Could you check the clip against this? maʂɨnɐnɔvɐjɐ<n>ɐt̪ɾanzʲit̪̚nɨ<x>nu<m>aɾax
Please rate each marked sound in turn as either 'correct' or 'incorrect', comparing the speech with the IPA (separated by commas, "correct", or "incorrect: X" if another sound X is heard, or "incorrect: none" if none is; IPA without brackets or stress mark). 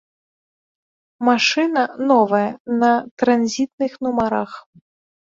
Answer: correct, correct, correct